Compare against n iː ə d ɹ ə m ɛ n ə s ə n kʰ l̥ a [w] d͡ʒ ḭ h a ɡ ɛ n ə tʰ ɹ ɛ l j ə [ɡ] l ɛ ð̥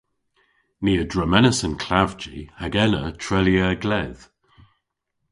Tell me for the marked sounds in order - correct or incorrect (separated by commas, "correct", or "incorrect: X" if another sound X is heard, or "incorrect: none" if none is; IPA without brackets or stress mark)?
incorrect: v, correct